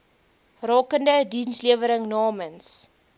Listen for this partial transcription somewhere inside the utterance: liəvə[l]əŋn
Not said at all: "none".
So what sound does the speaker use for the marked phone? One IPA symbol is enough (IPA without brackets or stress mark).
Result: ɾ